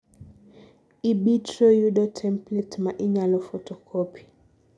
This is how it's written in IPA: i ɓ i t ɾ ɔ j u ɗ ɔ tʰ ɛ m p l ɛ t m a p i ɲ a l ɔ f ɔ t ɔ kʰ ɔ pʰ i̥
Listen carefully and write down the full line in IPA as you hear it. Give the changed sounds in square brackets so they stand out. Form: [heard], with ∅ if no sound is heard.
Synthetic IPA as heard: i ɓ i t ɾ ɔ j u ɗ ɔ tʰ ɛ m p l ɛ t m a [ʔ] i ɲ a l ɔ f ɔ t ɔ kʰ ɔ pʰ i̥